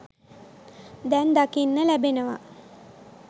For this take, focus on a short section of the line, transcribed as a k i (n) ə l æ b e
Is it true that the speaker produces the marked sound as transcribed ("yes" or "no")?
no